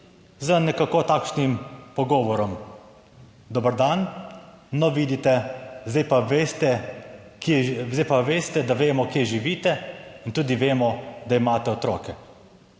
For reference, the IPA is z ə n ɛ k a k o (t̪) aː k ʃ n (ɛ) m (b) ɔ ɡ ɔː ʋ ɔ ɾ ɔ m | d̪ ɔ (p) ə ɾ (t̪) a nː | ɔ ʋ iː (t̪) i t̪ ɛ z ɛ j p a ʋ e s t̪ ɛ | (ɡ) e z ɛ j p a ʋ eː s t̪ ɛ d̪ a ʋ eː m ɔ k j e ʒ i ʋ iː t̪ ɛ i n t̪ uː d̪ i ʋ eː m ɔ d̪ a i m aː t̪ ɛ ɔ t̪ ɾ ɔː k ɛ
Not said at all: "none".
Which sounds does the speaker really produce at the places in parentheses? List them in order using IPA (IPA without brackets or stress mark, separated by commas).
t̪, i, p, b, d̪, d̪, k